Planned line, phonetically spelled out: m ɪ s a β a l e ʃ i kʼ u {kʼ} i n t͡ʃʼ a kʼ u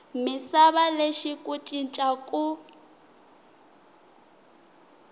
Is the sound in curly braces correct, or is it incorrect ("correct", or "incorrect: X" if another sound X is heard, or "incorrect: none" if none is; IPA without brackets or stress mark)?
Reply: incorrect: tʼ